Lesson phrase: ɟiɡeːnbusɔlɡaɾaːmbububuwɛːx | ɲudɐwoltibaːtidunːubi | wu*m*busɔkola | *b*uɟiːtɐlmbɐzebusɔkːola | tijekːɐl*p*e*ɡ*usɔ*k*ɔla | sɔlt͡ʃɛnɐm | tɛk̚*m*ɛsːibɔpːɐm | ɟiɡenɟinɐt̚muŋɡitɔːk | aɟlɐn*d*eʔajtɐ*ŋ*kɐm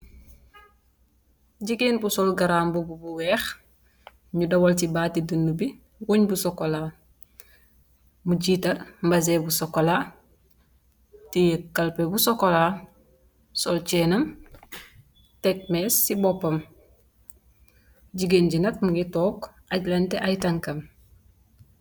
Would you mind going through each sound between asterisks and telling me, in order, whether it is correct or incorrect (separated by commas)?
incorrect, incorrect, correct, incorrect, correct, correct, incorrect, correct